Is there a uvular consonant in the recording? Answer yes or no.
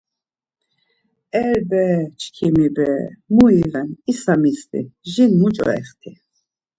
yes